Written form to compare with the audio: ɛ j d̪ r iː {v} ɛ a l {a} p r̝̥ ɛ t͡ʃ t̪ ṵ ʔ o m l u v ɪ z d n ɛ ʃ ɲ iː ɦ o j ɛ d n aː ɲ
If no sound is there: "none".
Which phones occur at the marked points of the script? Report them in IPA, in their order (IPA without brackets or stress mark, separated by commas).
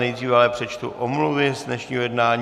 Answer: v, ɛ